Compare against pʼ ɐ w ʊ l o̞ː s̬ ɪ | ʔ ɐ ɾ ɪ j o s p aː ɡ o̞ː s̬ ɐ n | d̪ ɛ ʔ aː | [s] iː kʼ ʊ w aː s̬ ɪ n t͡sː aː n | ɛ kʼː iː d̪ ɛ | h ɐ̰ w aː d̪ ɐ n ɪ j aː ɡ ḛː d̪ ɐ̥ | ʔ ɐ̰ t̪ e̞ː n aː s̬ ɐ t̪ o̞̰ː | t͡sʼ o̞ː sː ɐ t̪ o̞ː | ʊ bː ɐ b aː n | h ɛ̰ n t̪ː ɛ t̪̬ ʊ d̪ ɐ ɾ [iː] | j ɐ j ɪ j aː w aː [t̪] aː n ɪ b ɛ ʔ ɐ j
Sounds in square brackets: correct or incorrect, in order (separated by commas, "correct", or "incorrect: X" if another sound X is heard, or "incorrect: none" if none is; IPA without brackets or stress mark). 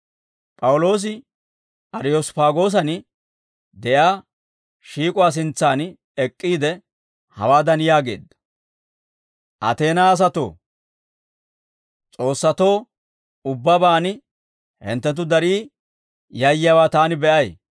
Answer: incorrect: ʃ, correct, correct